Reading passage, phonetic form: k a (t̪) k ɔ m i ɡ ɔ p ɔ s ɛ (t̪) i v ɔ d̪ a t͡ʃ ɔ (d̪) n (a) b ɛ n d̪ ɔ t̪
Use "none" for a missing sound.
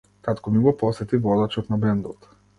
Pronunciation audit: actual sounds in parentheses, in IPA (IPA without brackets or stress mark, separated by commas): t̪, t̪, t̪, a